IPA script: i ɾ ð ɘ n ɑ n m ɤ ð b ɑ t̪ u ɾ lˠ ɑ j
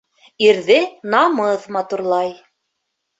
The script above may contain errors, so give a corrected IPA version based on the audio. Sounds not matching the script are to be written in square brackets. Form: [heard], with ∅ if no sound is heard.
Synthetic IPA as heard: i ɾ ð ɘ n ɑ [∅] m ɤ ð [m] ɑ t̪ u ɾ lˠ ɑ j